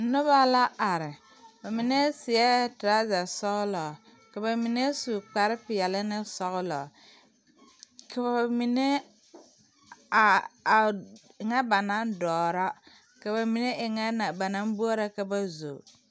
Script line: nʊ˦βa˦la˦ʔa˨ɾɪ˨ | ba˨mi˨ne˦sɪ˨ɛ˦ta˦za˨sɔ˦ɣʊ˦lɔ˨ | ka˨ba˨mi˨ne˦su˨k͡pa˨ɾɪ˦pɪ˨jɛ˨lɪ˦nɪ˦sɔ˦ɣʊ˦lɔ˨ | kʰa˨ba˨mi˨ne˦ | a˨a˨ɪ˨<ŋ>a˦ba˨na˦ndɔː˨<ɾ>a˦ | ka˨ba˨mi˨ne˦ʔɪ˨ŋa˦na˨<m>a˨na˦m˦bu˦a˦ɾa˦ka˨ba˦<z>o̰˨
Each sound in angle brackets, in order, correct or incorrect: correct, correct, incorrect: b, correct

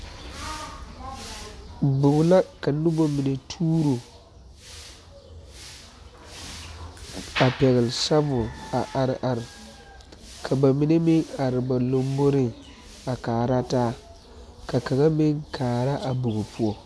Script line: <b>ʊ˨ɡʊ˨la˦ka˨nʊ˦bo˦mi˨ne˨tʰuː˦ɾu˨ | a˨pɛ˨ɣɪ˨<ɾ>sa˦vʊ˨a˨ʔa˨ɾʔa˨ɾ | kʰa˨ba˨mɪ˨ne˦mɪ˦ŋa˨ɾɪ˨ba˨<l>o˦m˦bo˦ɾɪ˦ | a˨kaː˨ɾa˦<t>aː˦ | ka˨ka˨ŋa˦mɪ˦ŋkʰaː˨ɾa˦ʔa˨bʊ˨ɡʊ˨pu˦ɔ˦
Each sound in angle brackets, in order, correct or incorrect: correct, incorrect: l, correct, correct

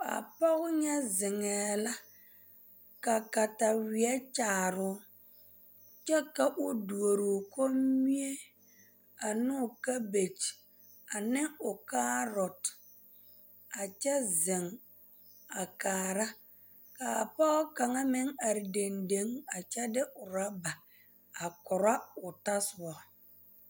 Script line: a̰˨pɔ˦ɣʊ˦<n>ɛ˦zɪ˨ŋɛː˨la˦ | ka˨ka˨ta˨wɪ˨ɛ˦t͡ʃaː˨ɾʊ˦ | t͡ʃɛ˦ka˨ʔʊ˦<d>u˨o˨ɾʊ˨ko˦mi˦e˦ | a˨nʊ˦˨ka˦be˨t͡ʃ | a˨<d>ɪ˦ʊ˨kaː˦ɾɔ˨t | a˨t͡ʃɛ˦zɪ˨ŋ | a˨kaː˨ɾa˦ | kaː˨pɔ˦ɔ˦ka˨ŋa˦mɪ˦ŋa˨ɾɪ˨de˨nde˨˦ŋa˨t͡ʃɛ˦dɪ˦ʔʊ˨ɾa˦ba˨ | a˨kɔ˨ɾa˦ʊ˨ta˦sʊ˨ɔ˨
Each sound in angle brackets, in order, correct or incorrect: incorrect: ɲ, correct, incorrect: n

